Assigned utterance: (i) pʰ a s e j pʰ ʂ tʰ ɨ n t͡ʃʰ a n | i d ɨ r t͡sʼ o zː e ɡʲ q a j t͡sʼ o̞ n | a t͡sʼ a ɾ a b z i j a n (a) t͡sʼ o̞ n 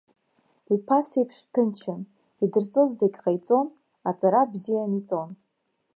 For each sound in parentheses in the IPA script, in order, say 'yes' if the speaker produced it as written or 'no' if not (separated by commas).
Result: yes, no